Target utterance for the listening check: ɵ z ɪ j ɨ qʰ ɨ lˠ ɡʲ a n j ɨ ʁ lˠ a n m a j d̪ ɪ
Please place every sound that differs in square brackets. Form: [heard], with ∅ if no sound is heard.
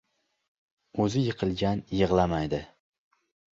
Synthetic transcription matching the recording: ɵ z ɪ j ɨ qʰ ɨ lˠ ɡʲ a n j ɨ ʁ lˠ a [∅] m a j d̪ ɪ